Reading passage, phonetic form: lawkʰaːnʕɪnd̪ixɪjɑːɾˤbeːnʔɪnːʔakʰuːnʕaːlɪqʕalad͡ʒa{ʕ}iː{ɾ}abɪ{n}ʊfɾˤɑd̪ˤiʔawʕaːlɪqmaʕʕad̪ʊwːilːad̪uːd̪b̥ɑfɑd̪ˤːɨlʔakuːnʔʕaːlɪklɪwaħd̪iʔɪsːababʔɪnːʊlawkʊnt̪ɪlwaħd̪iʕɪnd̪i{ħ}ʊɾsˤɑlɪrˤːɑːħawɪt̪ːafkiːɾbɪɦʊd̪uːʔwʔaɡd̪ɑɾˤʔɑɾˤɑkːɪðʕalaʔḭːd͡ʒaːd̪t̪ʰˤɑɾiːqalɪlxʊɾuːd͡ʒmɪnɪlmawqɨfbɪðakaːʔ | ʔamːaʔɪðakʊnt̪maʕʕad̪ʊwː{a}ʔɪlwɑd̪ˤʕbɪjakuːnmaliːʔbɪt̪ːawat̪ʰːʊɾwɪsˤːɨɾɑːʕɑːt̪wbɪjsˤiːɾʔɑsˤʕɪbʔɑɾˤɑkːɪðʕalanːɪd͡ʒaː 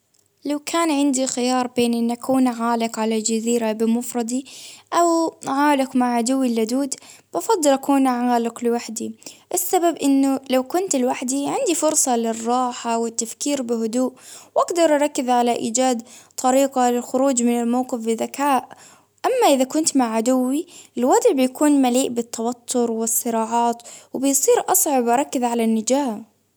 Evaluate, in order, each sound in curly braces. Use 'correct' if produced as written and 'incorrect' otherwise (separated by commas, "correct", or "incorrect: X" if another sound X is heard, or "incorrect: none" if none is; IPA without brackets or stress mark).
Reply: incorrect: z, correct, incorrect: m, incorrect: f, incorrect: i